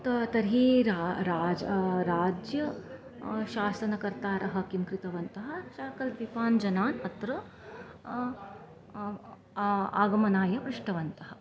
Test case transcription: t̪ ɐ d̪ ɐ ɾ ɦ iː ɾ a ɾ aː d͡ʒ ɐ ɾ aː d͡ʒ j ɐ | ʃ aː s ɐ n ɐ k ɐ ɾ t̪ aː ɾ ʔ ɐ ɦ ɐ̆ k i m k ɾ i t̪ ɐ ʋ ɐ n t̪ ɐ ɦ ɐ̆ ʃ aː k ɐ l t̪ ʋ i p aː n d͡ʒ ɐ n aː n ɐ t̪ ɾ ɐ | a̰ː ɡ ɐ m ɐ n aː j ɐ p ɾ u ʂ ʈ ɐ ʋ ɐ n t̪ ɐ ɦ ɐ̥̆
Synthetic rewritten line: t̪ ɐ t̪ ɐ ɾ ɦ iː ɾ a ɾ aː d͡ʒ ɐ ɾ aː d͡ʒ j ɐ | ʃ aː s ɐ n ɐ k ɐ ɾ t̪ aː ɾ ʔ ɐ ɦ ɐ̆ k i m k ɾ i t̪ ɐ ʋ ɐ n t̪ ɐ ɦ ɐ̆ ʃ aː k ɐ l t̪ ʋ i p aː n d͡ʒ ɐ n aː n ɐ t̪ ɾ ɐ | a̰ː ɡ ɐ m ɐ n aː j ɐ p ɾ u ʂ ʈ ɐ ʋ ɐ n t̪ ɐ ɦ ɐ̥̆